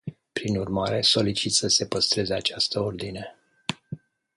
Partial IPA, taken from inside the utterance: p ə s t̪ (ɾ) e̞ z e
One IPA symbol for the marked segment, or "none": ɾ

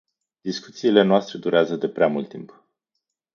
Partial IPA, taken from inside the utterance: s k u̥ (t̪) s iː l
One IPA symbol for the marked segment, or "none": t̪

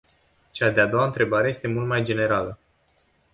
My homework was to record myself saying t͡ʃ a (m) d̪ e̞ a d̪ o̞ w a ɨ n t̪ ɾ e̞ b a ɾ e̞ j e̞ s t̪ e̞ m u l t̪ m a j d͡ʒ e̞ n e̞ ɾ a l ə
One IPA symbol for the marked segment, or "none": none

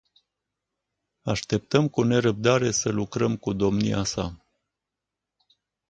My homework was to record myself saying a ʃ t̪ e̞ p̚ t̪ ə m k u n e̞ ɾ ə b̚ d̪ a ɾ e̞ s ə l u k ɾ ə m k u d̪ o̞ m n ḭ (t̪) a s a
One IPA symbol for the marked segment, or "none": none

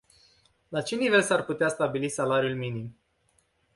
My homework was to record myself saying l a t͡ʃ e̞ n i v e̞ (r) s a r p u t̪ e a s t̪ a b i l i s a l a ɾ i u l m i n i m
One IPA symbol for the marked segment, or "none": l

